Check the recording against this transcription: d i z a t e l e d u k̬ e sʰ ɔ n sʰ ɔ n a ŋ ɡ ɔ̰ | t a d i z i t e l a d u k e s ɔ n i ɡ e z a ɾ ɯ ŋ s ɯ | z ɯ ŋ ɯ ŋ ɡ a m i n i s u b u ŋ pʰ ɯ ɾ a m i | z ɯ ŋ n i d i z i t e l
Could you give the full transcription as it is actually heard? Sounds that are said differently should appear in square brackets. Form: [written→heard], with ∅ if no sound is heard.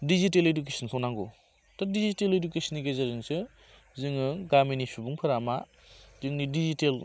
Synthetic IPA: d i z [a→i] t e l e d u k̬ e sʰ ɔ n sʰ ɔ n a ŋ ɡ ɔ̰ | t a d i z i t e l [a→e] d u k e s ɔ n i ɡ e z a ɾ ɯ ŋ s ɯ | z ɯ ŋ ɯ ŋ ɡ a m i n i s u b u ŋ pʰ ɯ ɾ a m [i→a] | z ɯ ŋ n i d i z i t e l